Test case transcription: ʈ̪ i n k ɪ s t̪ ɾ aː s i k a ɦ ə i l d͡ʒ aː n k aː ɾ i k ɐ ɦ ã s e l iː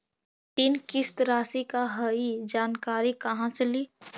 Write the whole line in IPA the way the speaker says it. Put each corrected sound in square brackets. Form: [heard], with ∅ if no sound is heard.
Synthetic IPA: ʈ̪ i n k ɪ s t̪ ɾ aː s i k a ɦ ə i [∅] d͡ʒ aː n k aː ɾ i k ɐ ɦ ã s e l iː